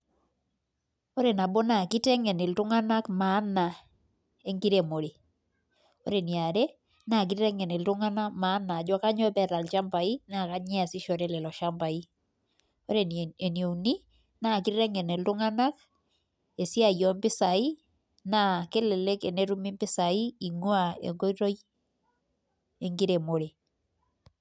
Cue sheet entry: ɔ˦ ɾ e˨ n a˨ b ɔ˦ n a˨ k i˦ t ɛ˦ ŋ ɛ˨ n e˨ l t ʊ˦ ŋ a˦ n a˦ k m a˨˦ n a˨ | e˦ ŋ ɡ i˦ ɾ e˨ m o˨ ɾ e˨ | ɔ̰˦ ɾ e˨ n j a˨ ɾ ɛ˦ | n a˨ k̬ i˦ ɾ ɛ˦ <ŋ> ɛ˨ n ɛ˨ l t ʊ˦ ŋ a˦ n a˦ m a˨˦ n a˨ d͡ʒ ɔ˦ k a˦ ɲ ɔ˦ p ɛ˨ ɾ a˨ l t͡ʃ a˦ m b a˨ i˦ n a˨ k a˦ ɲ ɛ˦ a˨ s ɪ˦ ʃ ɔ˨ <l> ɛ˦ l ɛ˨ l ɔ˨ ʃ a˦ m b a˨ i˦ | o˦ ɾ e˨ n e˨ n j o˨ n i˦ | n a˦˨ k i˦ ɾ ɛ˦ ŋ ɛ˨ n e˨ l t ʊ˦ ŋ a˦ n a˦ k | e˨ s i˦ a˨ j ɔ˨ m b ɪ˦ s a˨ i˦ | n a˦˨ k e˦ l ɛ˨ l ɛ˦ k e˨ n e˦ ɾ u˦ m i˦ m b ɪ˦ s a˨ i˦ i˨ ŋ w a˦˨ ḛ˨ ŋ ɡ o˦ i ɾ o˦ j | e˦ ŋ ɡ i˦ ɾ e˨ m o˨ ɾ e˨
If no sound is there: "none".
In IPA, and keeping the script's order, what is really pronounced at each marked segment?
ŋ, ɾ

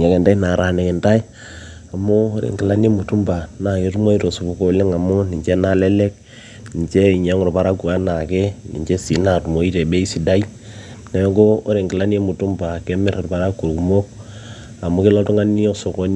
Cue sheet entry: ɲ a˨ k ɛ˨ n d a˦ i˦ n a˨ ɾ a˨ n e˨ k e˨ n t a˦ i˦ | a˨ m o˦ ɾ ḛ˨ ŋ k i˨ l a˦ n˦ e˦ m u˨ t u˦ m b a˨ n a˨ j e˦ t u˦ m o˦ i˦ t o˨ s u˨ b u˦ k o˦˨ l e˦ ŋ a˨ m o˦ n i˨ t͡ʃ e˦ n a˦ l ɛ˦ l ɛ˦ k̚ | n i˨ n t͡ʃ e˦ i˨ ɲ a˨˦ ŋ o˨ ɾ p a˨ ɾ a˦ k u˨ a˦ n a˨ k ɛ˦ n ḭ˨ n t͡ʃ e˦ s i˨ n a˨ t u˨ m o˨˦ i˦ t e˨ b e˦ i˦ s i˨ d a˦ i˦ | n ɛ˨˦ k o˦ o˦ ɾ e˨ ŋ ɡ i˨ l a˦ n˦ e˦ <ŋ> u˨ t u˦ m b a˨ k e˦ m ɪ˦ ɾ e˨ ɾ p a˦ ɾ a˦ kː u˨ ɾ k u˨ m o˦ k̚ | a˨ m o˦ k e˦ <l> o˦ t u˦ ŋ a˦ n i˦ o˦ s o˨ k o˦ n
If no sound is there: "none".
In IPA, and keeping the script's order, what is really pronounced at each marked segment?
m, l

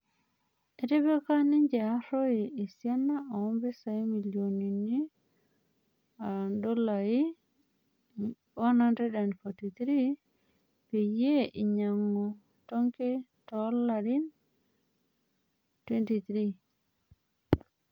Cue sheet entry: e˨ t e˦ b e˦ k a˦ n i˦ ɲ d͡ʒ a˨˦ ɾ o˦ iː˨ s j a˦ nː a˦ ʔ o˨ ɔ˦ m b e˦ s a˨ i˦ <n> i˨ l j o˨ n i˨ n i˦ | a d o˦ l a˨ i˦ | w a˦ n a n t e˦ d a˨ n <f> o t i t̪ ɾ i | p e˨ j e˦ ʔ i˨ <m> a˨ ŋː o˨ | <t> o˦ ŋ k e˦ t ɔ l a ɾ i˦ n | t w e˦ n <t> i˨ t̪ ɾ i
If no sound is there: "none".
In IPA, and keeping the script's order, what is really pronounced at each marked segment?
m, f, ɲ, t, t

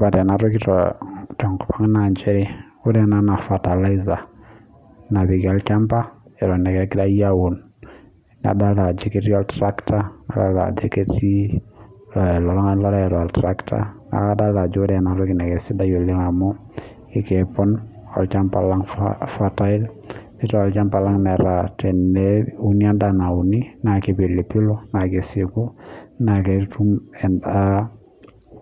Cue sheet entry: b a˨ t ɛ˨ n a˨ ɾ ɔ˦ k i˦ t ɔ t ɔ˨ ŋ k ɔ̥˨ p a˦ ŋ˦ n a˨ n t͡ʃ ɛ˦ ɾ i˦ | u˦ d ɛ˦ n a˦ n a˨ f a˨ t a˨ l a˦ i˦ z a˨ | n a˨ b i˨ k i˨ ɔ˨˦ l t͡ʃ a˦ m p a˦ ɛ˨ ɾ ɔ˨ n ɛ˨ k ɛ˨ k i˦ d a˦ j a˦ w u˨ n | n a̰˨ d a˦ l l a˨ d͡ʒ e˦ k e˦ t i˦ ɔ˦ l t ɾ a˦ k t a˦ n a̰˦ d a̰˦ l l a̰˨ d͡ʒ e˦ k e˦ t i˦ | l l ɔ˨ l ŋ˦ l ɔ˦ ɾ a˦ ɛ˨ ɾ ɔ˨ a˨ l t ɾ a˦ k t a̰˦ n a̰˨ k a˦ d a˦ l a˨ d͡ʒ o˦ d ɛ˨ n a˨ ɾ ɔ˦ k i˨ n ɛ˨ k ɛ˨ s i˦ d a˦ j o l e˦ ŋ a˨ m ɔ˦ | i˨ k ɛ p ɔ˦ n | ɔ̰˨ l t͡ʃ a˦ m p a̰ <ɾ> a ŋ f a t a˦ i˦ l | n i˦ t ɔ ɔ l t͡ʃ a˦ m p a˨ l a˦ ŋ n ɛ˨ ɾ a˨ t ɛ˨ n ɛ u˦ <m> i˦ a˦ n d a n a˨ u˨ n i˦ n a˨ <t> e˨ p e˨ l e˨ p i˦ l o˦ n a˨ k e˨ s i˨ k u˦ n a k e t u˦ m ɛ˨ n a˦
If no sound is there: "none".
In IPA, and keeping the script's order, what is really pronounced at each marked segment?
l, n, k

